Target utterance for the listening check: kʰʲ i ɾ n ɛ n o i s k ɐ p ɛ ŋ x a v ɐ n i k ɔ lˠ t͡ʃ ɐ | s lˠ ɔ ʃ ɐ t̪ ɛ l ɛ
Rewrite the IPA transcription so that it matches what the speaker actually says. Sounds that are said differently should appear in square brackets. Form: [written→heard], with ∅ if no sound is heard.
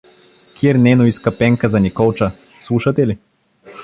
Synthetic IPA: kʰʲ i ɾ n ɛ n o i s k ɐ p ɛ ŋ [x→k] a [v→z] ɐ n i k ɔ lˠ t͡ʃ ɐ | s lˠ [ɔ→u] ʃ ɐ t̪ ɛ l [ɛ→i]